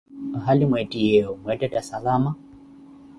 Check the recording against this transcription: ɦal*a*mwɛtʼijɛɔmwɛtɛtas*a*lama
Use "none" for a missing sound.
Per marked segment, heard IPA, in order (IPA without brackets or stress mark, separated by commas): i, a